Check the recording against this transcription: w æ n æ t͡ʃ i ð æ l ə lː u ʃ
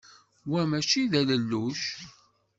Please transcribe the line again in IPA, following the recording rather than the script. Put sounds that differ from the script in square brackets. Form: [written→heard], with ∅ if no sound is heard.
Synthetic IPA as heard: w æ [n→m] æ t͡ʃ i ð æ l ə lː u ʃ